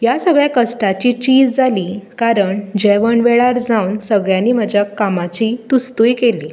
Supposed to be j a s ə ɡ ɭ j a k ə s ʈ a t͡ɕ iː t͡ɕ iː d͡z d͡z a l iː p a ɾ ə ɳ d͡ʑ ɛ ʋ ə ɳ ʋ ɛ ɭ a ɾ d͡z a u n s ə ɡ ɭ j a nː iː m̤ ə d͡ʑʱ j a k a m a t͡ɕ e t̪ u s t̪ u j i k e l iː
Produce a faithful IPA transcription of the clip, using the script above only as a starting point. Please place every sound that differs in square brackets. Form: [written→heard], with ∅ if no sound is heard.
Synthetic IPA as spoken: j a s ə ɡ ɭ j a k ə s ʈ a t͡ɕ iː t͡ɕ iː d͡z d͡z a l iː [p→k] a ɾ ə ɳ d͡ʑ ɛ ʋ ə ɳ ʋ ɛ ɭ a ɾ d͡z a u n s ə ɡ ɭ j a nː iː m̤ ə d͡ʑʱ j a k a m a t͡ɕ [e→i] t̪ u s t̪ u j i k e l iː